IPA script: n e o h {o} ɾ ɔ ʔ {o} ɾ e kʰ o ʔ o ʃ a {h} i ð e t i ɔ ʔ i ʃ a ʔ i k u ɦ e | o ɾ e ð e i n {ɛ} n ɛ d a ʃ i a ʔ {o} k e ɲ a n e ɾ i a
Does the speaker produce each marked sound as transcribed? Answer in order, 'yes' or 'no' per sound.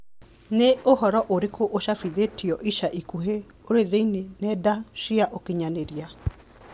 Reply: no, yes, no, no, yes

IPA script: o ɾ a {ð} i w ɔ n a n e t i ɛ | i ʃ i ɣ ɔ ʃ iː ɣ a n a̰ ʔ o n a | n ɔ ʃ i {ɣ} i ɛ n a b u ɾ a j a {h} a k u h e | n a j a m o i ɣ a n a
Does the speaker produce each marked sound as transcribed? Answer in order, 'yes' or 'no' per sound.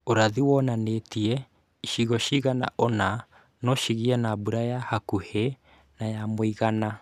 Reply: yes, yes, yes

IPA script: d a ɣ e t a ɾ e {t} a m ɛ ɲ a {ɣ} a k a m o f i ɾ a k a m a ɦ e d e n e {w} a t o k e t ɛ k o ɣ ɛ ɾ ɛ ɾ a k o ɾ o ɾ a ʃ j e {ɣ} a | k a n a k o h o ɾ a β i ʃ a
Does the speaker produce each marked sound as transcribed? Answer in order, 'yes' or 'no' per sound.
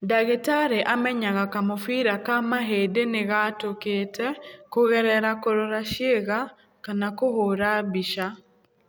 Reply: no, yes, no, yes

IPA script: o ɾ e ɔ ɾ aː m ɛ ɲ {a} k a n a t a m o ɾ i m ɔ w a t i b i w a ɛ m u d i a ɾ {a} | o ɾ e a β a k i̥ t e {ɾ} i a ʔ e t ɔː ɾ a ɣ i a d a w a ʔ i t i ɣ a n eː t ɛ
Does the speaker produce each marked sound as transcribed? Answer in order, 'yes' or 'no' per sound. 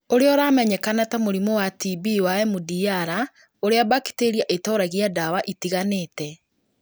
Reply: no, yes, yes

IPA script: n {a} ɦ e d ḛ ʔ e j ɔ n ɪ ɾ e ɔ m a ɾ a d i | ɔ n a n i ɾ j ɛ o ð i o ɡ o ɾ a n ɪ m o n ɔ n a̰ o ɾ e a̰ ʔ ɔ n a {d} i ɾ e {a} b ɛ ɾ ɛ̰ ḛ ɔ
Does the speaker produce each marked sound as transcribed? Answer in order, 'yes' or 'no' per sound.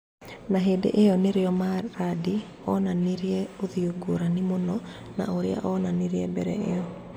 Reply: yes, no, no

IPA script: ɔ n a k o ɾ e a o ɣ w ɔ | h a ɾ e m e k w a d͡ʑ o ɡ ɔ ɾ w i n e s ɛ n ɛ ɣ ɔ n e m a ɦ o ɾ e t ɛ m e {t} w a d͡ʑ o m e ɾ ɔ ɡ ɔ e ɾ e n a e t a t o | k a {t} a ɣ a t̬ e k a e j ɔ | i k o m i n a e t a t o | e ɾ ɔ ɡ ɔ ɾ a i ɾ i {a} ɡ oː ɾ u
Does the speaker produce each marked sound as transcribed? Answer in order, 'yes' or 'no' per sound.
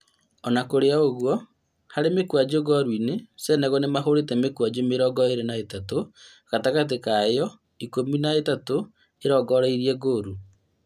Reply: no, yes, no

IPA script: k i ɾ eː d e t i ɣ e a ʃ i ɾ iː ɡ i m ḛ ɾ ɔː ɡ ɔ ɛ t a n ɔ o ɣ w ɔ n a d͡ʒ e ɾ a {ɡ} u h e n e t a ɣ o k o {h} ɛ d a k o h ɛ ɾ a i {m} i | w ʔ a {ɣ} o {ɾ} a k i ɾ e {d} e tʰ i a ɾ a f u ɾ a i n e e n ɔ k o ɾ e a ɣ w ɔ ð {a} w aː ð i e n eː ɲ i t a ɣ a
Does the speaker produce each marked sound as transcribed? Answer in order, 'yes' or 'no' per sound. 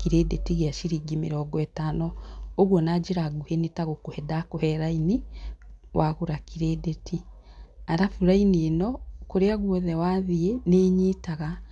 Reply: yes, yes, no, yes, yes, yes, no

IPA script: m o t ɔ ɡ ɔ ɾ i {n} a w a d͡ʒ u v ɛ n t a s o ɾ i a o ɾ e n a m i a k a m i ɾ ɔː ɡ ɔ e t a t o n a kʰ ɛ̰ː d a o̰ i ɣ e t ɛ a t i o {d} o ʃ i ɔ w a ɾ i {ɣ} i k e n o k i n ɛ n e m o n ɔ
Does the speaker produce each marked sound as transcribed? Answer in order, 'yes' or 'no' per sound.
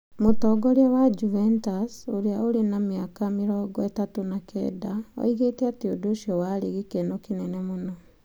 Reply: no, yes, yes

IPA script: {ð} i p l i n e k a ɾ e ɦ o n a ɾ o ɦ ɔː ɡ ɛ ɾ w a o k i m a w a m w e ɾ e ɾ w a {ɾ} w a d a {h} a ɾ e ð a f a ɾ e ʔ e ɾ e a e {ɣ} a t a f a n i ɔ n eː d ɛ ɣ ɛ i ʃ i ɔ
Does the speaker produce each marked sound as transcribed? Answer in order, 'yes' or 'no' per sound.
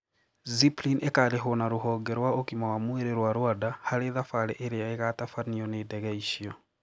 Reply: no, yes, yes, yes

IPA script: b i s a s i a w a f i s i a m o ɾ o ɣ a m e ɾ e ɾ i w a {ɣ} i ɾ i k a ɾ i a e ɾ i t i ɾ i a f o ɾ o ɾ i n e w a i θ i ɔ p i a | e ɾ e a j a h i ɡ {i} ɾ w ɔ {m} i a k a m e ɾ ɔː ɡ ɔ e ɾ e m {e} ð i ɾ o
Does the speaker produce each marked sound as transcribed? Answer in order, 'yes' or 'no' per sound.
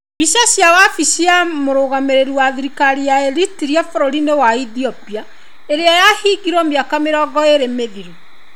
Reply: no, yes, yes, yes

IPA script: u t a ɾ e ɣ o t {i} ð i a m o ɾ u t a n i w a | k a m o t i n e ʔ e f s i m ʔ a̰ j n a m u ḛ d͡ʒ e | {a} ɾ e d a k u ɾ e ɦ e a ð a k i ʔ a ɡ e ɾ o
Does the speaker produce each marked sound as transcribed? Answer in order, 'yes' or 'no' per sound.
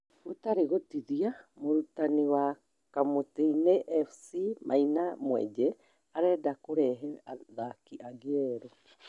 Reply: yes, yes

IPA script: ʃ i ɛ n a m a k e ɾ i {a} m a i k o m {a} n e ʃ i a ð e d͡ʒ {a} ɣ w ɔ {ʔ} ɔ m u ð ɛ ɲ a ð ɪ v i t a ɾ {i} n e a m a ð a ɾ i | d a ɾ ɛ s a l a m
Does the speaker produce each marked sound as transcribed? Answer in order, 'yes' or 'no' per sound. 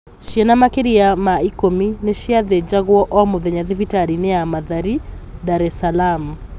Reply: yes, no, yes, yes, yes

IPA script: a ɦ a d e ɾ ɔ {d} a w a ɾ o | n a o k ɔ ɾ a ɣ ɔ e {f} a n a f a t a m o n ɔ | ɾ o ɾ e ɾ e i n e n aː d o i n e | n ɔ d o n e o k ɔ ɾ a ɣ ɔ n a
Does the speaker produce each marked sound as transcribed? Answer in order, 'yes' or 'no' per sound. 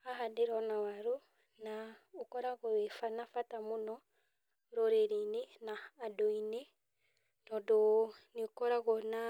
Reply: no, yes

